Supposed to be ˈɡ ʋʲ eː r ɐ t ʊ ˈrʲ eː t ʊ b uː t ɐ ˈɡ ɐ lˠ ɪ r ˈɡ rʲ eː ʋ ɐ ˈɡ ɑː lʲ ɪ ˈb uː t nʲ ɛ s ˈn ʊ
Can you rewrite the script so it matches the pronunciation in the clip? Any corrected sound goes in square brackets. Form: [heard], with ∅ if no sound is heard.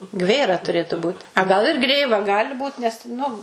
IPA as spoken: ˈɡ ʋʲ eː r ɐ t ʊ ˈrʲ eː t ʊ b uː t ɐ ˈɡ ɐ lˠ ɪ r ˈɡ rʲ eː ʋ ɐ ˈɡ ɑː lʲ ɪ ˈb uː t nʲ ɛ s ˈn ʊ